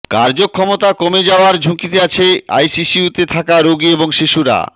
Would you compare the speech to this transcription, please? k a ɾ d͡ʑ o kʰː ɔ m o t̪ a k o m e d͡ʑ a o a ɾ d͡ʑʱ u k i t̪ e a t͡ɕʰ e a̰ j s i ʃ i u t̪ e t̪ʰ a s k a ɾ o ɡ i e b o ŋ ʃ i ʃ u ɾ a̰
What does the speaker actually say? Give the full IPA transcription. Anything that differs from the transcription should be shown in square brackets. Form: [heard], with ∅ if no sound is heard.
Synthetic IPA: k a ɾ d͡ʑ o kʰː ɔ m o t̪ a k o m e d͡ʑ a o a ɾ d͡ʑʱ u k i t̪ e a t͡ɕʰ e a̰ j s i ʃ i u t̪ e t̪ʰ a [∅] k a ɾ o ɡ i e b o ŋ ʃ i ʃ u ɾ a̰